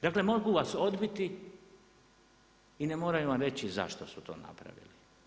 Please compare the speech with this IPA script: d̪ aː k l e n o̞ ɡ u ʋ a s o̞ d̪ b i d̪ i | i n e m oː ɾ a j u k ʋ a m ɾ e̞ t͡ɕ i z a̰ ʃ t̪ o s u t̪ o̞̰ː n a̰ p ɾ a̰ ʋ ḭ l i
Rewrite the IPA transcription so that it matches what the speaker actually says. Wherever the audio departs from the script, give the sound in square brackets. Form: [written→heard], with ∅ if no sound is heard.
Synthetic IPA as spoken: d̪ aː k l e [n→m] o̞ ɡ u ʋ a s o̞ d̪ b i [d̪→t̪] i | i n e m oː ɾ a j u [k→∅] ʋ a m ɾ e̞ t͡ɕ i z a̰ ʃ t̪ o s u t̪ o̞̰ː n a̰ p ɾ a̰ ʋ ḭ l i